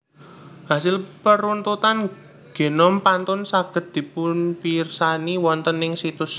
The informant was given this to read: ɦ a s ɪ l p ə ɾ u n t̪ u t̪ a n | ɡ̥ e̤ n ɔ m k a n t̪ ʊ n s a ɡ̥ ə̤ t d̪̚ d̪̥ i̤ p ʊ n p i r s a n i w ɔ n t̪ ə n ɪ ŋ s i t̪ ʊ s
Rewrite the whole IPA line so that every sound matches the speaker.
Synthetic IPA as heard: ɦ a s ɪ l p ə ɾ u n t̪ u t̪ a n | ɡ̥ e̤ n ɔ m p a n t̪ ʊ n s a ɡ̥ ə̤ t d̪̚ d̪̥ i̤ p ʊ n p i r s a n i w ɔ n t̪ ə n ɪ ŋ s i t̪ ʊ s